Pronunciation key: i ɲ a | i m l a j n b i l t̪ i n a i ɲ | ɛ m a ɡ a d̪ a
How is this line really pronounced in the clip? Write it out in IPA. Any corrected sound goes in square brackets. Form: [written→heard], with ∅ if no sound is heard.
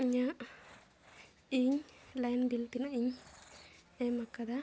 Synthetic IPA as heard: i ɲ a | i [m→ɲ] l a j n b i l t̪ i n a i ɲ | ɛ m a [ɡ→k] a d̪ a